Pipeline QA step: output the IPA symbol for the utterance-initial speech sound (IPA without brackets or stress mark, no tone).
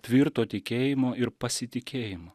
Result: t̪ʲ